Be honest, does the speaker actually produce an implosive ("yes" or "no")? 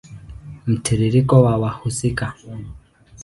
no